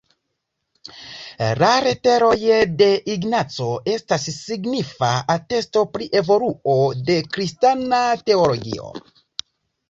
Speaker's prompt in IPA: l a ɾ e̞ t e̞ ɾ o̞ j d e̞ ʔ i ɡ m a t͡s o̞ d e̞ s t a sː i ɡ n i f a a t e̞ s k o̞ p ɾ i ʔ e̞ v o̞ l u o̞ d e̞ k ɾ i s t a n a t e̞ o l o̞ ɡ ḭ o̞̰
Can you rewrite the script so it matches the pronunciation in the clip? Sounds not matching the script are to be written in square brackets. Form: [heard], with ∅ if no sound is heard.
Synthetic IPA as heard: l a ɾ e̞ t e̞ ɾ o̞ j d e̞ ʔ i ɡ [n] a t͡s o̞ [∅] e̞ s t a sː i ɡ n i f a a t e̞ s [t] o̞ p ɾ i ʔ e̞ v o̞ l u o̞ d e̞ k ɾ i s t a n a t e̞ o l o̞ ɡ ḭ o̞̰